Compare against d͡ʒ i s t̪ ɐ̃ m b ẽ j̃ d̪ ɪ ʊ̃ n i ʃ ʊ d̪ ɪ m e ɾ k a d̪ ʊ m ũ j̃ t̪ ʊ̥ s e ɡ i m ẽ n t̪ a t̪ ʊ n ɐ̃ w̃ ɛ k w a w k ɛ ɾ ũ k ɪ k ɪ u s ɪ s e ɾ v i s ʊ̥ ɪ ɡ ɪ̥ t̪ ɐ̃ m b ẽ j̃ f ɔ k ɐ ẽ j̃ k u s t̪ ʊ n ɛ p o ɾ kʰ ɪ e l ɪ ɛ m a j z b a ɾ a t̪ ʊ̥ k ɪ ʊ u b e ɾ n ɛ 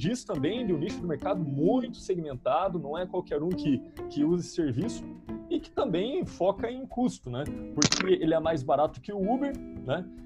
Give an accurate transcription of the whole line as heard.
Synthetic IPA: d͡ʒ i s t̪ ɐ̃ m b ẽ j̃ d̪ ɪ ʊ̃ n i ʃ ʊ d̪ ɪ m e ɾ k a d̪ ʊ m ũ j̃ t̪ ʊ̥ s e ɡ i m ẽ n t̪ a d̪ ʊ n ɐ̃ w̃ ɛ k w a w k ɛ ɾ ũ k ɪ k ɪ u z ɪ s e ɾ v i s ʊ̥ ɪ k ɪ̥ t̪ ɐ̃ m b ẽ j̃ f ɔ k ɐ ẽ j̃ k u s t̪ ʊ n ɛ p o ɾ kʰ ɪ e l ɪ ɛ m a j z b a ɾ a t̪ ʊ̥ k ɪ ʊ u b e ɾ n ɛ